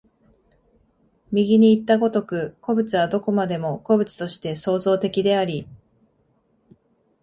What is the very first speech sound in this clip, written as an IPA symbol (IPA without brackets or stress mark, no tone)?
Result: mʲ